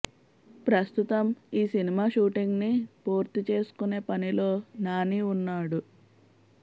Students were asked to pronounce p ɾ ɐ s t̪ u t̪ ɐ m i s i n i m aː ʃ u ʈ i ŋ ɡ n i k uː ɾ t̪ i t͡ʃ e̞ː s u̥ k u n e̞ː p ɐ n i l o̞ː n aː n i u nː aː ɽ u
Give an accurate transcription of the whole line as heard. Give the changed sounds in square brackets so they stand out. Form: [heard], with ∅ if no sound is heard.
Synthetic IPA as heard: p ɾ ɐ s t̪ u t̪ ɐ m [iː] s i n i m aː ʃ [uː] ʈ i ŋ ɡ n i [p] uː ɾ t̪ i t͡ʃ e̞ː s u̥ k u n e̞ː p ɐ n i l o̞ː n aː n i u nː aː ɽ u